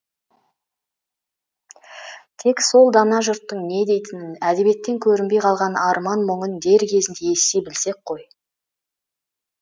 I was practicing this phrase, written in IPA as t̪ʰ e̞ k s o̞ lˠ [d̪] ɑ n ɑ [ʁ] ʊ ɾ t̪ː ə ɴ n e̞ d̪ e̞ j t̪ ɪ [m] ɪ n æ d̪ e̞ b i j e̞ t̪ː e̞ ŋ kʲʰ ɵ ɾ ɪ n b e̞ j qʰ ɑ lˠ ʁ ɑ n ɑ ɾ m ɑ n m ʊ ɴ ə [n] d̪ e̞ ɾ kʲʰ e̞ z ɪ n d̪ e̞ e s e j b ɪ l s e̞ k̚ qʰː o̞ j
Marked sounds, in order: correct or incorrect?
correct, incorrect: ʒ, incorrect: n, correct

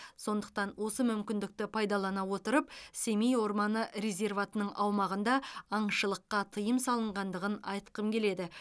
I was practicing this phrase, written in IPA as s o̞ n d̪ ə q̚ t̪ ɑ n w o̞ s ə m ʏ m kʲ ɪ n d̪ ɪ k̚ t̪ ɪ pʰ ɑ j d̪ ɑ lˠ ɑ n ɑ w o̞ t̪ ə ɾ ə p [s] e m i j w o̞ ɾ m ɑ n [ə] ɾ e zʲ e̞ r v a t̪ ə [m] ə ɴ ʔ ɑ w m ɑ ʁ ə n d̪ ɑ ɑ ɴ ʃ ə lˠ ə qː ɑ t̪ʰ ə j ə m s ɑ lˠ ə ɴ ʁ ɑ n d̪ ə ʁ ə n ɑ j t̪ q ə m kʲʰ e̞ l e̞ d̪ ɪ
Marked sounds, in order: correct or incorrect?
correct, correct, incorrect: n

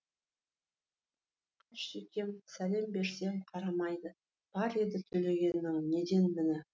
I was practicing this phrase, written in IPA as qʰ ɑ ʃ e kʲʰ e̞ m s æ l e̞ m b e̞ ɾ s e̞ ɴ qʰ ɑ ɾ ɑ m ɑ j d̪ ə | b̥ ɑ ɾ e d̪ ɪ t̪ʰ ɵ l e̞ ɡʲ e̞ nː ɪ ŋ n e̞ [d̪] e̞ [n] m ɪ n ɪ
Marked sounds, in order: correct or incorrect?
correct, correct

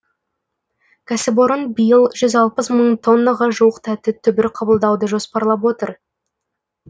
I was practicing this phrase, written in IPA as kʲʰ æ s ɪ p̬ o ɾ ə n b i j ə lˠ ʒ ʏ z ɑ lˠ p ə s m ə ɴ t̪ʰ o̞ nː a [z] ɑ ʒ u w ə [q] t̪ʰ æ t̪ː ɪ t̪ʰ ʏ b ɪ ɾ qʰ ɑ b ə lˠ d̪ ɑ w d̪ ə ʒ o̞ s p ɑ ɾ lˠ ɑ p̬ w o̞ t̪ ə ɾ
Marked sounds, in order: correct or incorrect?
incorrect: ʁ, correct

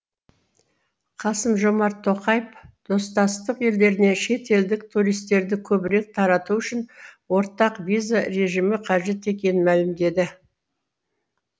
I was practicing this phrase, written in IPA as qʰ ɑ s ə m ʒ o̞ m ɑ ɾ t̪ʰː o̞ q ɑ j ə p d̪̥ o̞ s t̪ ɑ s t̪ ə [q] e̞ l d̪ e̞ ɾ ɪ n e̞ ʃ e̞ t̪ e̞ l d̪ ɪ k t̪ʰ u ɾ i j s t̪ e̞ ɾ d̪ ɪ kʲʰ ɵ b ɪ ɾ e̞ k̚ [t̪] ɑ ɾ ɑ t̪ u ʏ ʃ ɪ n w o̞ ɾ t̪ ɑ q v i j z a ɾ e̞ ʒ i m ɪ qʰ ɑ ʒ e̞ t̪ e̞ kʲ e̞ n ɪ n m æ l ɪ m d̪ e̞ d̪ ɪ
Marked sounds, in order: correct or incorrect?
correct, incorrect: t̪ʰ

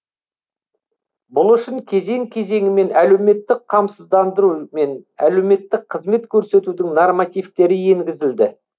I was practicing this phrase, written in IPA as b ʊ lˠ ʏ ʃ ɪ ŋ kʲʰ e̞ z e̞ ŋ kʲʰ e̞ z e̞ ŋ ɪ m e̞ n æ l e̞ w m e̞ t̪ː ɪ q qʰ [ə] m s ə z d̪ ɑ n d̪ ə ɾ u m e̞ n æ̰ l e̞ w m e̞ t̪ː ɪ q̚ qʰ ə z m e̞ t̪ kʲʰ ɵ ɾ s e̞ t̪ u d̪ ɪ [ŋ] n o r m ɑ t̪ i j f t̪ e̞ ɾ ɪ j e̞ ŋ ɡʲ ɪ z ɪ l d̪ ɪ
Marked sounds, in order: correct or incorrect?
incorrect: ɑ, correct

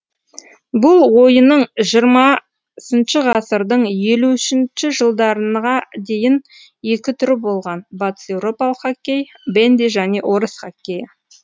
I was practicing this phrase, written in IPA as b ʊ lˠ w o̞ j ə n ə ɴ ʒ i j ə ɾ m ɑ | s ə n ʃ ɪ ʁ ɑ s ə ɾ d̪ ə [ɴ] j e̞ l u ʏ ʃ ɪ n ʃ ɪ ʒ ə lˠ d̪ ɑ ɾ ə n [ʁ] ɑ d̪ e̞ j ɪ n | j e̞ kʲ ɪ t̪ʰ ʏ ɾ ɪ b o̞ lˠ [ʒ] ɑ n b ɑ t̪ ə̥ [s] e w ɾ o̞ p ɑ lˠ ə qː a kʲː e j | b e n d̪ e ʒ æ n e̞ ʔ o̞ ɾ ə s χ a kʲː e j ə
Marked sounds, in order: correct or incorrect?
correct, correct, incorrect: ʁ, correct

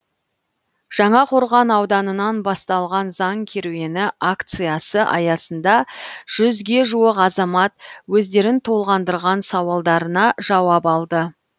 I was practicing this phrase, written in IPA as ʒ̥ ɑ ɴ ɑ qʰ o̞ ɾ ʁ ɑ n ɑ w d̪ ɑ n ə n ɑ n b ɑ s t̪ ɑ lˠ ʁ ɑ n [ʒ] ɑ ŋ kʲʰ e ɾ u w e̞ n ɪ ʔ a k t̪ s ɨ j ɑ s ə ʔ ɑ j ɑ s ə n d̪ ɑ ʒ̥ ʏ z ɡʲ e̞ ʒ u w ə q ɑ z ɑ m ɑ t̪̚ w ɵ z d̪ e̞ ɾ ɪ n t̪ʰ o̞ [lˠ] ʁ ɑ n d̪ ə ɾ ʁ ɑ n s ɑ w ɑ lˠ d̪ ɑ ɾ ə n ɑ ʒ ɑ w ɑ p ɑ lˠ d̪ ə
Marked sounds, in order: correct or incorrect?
incorrect: z, correct

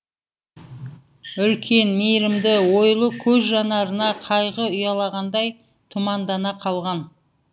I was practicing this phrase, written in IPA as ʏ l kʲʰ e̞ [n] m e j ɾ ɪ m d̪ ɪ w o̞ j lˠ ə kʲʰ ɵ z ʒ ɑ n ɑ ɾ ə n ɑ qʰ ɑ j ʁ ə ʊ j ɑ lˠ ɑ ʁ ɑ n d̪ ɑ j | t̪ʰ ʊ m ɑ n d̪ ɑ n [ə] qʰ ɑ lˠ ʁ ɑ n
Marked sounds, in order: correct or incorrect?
correct, incorrect: ɑ

